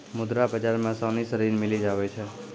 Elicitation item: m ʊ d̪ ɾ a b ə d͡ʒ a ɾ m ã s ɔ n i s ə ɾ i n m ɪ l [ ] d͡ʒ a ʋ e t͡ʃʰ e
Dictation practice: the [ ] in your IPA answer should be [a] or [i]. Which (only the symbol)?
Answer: i